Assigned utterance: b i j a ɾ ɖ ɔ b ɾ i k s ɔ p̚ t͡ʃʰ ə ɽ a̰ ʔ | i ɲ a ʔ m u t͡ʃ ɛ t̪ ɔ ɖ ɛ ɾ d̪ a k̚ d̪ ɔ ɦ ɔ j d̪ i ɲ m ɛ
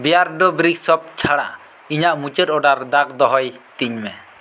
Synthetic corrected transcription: b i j a ɾ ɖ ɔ b ɾ i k s ɔ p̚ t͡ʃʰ a ɽ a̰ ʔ | i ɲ a ʔ m u t͡ʃ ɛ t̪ ɔ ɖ a ɾ d̪ a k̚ d̪ ɔ ɦ ɔ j t̪ i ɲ m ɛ